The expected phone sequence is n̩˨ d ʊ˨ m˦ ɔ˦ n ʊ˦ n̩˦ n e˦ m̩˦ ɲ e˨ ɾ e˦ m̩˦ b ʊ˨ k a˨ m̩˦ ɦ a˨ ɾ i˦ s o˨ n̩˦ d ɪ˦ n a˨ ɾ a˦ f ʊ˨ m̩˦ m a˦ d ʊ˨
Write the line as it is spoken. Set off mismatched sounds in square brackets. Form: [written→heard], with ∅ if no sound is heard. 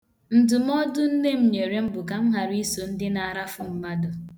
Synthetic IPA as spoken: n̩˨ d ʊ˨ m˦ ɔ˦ [n→d] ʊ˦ n̩˦ n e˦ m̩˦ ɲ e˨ ɾ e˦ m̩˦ b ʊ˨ k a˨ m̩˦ ɦ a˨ ɾ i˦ s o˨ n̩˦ d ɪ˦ n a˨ ɾ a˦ f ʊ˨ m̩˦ m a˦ d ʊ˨